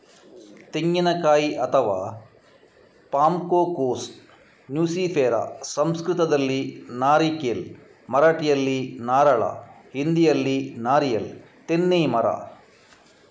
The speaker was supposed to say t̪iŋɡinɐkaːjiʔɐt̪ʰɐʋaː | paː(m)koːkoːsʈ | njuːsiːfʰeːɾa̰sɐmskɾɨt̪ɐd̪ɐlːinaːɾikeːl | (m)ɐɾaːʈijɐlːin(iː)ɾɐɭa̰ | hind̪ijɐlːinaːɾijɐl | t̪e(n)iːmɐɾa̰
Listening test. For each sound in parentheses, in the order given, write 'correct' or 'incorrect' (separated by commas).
correct, correct, incorrect, incorrect